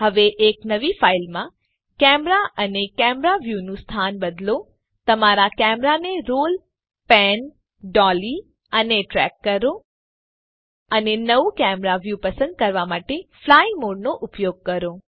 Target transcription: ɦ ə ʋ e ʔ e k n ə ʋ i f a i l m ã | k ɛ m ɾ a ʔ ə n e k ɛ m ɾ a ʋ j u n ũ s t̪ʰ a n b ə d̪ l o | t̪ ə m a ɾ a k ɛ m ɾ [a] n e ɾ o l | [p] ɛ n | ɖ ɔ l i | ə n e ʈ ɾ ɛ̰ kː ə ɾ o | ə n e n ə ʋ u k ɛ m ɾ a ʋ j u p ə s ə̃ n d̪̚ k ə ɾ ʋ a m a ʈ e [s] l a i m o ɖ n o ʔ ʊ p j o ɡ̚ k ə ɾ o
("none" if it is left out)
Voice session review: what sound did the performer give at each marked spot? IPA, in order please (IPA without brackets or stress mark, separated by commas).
a, p, f